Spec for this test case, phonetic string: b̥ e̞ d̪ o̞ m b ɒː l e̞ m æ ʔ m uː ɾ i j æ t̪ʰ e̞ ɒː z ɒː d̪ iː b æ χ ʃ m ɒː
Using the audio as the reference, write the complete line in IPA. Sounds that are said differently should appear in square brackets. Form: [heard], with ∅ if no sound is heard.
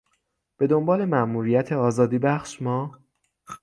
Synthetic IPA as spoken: b̥ e̞ d̪ o̞ m b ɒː l e̞ m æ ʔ m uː ɾ i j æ t̪ʰ e̞ ɒː z ɒː d̪ iː b æ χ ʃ m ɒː

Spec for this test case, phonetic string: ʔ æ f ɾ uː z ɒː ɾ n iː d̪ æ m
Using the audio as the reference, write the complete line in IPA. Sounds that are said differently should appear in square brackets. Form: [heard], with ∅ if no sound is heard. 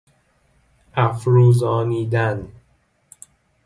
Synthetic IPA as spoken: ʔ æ f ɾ uː z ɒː [∅] n iː d̪ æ [n]

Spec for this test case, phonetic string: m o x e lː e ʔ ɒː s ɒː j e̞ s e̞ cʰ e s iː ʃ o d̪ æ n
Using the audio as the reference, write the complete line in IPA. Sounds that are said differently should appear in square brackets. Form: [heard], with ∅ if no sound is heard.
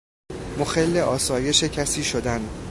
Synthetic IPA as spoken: m o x e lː e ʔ ɒː s ɒː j e̞ [ʃ] e̞ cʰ [æ] s iː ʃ o d̪ æ n

